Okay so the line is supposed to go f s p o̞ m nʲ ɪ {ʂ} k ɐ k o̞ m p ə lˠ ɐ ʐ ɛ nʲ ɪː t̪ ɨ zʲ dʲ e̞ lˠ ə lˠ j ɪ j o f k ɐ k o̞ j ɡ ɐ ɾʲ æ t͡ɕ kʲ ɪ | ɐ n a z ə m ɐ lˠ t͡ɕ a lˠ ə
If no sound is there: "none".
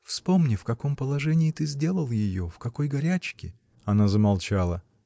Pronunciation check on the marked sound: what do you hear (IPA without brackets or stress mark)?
f